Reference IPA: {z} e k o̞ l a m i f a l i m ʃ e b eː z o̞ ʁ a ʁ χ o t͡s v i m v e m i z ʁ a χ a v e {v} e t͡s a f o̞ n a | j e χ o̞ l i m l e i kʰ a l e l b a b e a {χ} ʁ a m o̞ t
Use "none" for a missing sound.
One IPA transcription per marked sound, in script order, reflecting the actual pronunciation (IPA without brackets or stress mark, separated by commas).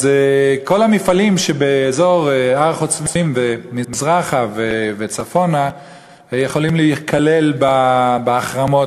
z, v, χ